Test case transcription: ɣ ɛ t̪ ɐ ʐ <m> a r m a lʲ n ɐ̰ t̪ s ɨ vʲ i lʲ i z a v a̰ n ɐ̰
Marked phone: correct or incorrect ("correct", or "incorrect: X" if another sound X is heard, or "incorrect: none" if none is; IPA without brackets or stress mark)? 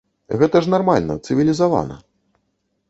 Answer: incorrect: n